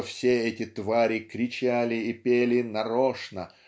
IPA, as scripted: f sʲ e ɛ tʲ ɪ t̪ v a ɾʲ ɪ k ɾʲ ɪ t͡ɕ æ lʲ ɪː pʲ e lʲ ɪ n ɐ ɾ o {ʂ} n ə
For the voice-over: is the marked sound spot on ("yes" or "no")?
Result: yes